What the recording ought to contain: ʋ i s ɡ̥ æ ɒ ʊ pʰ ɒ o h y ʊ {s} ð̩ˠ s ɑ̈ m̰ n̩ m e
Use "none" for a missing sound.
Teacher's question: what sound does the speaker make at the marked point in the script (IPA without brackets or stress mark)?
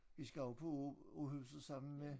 s